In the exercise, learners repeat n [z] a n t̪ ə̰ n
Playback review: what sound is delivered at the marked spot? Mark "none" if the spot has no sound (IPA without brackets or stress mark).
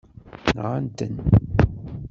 ʁ